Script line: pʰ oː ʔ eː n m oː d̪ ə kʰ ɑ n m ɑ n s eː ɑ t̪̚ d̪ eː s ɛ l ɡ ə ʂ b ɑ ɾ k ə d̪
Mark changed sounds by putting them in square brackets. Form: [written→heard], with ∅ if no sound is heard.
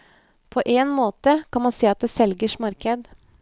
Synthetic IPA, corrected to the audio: pʰ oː ʔ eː n m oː [d̪→t̪] ə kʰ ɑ n m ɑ n s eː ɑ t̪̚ d̪ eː s ɛ l ɡ ə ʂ [b→m] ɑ ɾ k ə d̪